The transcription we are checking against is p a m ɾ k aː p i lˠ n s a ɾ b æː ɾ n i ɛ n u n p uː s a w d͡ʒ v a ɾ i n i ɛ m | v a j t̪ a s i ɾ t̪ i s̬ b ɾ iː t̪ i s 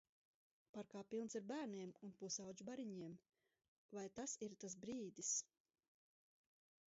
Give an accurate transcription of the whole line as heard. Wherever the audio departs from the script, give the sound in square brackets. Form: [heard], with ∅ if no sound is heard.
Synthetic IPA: p a [∅] ɾ k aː p i lˠ n s [i] ɾ b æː ɾ n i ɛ [m] u n p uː s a w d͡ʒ [b] a ɾ i [ɲ] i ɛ m | v a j t̪ a s i ɾ t̪ [a] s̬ b ɾ iː [d̪] i s